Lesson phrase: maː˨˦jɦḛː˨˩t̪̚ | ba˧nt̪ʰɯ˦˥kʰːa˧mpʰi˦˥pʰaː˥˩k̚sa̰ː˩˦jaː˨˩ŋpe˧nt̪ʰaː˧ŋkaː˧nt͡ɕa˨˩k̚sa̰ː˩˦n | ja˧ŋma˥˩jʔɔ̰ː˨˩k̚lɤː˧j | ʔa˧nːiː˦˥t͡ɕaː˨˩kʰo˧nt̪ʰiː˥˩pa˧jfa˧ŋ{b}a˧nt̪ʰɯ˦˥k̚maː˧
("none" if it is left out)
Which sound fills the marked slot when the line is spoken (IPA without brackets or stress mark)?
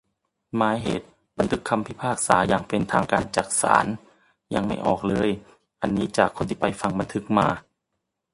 b